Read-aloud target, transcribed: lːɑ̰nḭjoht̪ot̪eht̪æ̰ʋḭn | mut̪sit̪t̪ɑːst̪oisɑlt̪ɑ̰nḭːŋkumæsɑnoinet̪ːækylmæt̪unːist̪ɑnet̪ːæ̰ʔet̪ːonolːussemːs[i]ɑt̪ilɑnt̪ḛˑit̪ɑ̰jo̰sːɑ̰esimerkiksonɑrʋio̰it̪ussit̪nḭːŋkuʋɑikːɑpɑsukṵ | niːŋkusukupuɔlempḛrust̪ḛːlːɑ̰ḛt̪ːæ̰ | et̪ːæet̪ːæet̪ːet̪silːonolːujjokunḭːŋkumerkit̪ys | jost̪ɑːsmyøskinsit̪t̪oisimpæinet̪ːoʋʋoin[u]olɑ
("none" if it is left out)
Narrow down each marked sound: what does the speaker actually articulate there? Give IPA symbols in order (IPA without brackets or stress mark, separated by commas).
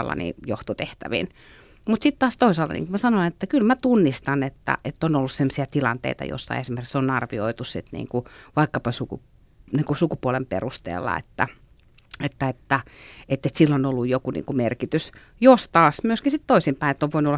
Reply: i, u